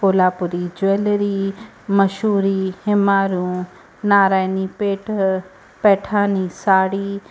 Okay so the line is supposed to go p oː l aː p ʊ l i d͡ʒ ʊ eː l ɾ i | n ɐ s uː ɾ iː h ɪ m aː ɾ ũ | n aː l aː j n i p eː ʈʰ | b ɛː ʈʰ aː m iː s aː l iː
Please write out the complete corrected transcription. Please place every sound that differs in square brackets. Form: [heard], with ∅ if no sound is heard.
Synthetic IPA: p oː l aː p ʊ [ɾ] i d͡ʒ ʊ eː l ɾ i | [m] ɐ [ʃ] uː ɾ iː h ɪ m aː ɾ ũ | n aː [ɾ] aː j n i p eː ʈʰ | [p] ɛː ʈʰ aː [n] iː s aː [ɽ] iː

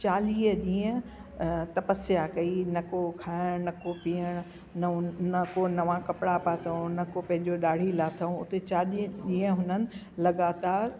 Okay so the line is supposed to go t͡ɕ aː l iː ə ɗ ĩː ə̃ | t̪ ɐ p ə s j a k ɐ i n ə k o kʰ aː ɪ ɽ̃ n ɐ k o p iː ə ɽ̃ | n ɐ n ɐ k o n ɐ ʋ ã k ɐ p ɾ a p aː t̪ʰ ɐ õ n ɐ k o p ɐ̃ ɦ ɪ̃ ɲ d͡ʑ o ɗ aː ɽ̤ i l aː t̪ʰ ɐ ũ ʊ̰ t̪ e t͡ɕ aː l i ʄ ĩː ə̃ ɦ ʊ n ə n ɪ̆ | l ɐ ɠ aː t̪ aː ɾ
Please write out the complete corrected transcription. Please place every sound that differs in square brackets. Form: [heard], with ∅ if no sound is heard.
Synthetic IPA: t͡ɕ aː l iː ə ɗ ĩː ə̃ | t̪ ɐ p ə s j a k ɐ i n [ɐ] k o kʰ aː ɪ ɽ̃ n ɐ k o p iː ə ɽ̃ | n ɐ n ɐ k o n ɐ ʋ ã k ɐ p [ɽ] a p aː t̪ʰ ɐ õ n ɐ k o p ɐ̃ ɦ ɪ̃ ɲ d͡ʑ o ɗ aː ɽ̤ i l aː t̪ʰ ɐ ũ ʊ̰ t̪ e t͡ɕ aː l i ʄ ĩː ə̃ ɦ ʊ n ə n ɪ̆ | l ɐ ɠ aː t̪ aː ɾ

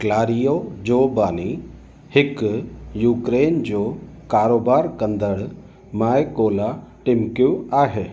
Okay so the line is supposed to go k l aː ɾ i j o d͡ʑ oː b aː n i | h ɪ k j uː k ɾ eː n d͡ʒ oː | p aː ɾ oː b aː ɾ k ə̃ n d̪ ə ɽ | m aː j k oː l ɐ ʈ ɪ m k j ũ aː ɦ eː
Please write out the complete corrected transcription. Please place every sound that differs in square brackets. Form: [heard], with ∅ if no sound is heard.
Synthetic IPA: k l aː ɾ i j o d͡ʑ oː b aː n i | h ɪ k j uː k ɾ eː n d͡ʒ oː | [k] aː ɾ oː b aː ɾ k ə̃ n d̪ ə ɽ | m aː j k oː l [a] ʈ ɪ m k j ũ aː ɦ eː

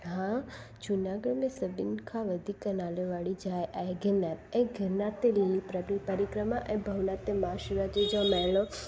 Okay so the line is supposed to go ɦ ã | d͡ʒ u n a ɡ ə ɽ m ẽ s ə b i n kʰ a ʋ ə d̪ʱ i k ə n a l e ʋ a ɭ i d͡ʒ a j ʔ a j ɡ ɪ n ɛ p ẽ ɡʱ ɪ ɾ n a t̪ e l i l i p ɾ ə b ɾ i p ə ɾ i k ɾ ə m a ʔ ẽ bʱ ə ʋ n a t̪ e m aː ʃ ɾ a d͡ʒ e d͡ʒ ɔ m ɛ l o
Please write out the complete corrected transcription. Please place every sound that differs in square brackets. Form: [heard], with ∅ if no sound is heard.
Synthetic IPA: ɦ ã | d͡ʒ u n a ɡ ə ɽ m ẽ s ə b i n kʰ a ʋ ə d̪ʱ i k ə n a l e ʋ a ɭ i d͡ʒ a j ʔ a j ɡ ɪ n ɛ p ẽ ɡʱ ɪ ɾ n a t̪ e l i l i p ɾ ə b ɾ i p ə ɾ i k ɾ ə m a ʔ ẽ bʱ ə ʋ n a t̪ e m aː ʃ ɾ a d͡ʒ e d͡ʒ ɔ m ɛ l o

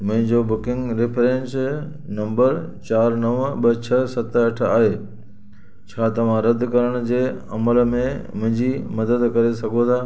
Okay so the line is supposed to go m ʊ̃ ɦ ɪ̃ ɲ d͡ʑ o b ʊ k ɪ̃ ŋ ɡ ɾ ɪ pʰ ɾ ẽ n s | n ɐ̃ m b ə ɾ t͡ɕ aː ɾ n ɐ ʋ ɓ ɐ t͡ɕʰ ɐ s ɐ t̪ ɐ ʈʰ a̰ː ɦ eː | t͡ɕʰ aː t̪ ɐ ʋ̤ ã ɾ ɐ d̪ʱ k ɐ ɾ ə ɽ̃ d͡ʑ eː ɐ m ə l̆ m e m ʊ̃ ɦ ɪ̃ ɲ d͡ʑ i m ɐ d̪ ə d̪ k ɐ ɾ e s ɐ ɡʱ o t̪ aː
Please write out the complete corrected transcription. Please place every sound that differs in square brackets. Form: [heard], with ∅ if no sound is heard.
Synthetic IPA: m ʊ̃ ɦ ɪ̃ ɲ d͡ʑ o b ʊ k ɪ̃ ŋ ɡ ɾ ɪ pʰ ɾ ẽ n s | n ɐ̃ m b ə ɾ t͡ɕ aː ɾ n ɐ ʋ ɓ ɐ t͡ɕʰ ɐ s ɐ t̪ ɐ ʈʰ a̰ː ɦ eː | t͡ɕʰ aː t̪ ɐ ʋ̤ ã ɾ ɐ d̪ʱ k ɐ ɾ ə ɽ̃ d͡ʑ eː ɐ m ə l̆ m [ẽ] m ʊ̃ ɦ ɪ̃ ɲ d͡ʑ i m ɐ d̪ ə d̪ k ɐ ɾ e s ɐ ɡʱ o [t̪ʰ] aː

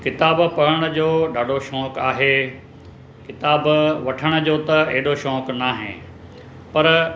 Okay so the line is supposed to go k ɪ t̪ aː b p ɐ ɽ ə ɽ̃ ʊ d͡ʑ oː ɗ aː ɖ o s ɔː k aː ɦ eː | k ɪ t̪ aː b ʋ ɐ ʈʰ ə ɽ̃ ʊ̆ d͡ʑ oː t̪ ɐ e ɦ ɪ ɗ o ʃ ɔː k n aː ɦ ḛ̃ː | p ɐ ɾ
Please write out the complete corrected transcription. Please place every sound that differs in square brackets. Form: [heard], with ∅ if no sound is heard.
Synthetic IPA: k ɪ t̪ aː b p ɐ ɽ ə ɽ̃ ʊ d͡ʑ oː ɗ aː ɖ o [ʃ] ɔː k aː ɦ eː | k ɪ t̪ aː b ʋ ɐ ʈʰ ə ɽ̃ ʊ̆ d͡ʑ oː t̪ ɐ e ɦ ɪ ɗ o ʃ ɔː k n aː ɦ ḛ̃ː | p ɐ ɾ

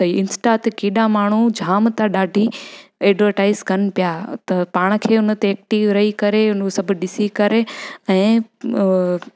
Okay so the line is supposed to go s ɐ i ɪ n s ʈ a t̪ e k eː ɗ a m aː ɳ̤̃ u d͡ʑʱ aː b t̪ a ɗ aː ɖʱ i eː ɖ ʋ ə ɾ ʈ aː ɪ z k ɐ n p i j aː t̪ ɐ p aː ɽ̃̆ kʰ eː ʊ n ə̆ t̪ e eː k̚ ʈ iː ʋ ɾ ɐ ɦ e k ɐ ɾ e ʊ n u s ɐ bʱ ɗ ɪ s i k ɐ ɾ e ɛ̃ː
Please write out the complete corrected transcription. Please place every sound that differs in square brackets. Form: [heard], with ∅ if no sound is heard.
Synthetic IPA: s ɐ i ɪ n s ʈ a t̪ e k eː ɗ a m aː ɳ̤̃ u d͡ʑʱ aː [m] t̪ a ɗ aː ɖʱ i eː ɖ ʋ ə ɾ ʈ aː ɪ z k ɐ n p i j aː t̪ ɐ p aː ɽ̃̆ kʰ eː ʊ n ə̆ t̪ e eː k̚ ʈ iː ʋ ɾ ɐ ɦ [i] k ɐ ɾ e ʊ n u s ɐ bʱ ɗ ɪ s i k ɐ ɾ e ɛ̃ː

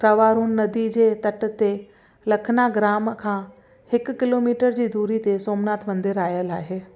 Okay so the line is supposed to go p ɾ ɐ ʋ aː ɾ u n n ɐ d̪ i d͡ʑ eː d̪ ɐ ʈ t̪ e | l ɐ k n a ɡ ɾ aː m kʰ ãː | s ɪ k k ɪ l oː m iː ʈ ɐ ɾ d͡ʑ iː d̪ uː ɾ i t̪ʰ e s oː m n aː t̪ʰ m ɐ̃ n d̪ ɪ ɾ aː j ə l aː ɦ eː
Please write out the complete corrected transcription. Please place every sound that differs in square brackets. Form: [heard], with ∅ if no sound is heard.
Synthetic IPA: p ɾ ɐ ʋ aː ɾ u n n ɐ d̪ i d͡ʑ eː [t̪] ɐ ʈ t̪ e | l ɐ [kʰ] n a ɡ ɾ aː m kʰ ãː | [h] ɪ k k ɪ l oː m iː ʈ [ə] ɾ d͡ʑ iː d̪ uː ɾ i [t̪] e s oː m n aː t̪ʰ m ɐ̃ n d̪ ɪ ɾ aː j ə l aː ɦ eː

